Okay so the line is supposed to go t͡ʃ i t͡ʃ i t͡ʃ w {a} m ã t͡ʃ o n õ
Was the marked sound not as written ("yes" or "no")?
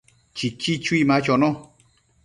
yes